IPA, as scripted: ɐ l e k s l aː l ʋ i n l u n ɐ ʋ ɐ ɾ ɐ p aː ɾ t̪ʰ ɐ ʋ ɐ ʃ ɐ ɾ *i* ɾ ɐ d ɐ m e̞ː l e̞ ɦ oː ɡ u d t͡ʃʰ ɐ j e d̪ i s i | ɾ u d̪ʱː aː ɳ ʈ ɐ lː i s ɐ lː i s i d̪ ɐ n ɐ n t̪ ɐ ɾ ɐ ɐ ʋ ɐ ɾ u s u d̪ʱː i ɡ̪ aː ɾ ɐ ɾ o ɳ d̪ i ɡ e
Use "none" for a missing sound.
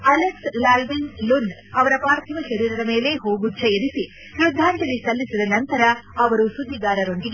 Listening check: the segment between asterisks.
iː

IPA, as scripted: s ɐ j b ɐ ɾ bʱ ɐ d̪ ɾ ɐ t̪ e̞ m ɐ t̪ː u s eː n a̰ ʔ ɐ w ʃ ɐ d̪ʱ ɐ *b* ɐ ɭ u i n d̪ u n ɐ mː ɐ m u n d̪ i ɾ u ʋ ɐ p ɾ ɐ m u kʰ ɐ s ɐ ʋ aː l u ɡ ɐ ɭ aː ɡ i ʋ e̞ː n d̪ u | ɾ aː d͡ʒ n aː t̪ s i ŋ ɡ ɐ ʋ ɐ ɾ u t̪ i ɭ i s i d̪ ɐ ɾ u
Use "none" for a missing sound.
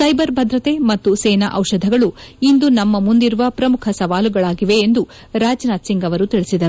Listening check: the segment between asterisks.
ɡ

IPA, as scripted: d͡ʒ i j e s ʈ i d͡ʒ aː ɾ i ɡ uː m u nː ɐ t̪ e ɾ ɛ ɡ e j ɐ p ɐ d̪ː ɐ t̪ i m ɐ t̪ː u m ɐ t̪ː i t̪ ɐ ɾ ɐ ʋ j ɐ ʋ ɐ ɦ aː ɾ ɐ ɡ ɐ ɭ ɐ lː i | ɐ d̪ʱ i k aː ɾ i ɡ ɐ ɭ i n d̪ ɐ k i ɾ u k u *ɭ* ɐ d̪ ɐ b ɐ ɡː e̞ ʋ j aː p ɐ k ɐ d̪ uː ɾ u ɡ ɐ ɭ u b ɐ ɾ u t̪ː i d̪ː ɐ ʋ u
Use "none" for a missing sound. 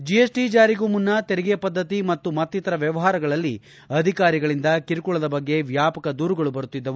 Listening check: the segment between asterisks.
ɭ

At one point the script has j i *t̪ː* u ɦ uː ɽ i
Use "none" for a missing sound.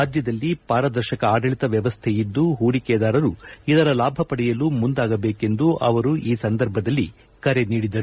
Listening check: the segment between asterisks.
d̪ː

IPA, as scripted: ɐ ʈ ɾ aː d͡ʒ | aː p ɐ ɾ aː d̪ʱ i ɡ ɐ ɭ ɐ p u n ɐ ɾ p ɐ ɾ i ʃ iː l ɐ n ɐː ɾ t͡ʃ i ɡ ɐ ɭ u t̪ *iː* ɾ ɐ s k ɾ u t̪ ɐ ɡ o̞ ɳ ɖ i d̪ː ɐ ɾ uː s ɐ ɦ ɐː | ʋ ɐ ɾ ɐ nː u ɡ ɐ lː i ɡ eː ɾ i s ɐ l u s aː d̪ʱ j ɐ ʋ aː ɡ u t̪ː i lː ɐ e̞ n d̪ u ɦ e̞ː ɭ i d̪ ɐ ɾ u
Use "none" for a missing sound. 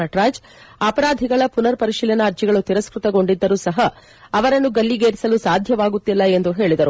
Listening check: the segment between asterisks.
i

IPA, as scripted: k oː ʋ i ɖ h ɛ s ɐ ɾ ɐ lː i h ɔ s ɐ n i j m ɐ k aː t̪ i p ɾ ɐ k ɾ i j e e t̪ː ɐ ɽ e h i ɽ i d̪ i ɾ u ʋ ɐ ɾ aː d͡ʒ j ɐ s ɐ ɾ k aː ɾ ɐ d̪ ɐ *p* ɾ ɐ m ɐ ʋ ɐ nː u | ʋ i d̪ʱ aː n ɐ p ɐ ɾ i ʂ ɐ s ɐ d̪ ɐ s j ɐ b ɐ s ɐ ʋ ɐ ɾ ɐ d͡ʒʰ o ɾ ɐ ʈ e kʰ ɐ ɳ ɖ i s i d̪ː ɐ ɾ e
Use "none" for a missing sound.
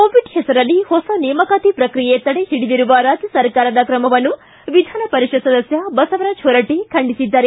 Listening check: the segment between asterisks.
k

